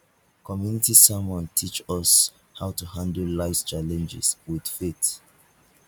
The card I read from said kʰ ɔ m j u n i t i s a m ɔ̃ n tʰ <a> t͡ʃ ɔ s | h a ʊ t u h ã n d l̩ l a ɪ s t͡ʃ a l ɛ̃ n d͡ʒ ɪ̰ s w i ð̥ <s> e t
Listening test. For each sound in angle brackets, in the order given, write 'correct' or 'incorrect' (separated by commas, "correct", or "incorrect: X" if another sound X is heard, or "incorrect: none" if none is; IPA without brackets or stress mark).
incorrect: i, incorrect: f